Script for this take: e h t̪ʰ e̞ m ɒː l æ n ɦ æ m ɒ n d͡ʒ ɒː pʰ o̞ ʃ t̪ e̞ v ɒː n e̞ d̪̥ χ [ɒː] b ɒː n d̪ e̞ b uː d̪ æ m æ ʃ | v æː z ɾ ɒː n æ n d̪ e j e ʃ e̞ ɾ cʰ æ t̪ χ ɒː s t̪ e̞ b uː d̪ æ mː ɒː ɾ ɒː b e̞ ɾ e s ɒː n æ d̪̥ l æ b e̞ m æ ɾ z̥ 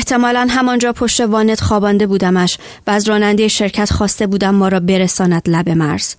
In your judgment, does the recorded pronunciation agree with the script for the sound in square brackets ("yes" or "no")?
yes